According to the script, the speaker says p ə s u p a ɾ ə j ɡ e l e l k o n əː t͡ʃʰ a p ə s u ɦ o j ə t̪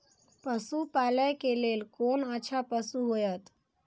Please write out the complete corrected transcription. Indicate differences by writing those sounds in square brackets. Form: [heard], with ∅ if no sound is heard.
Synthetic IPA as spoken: p ə s u p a [l] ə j [k] e l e l k o n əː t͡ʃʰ a p ə s u ɦ o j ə t̪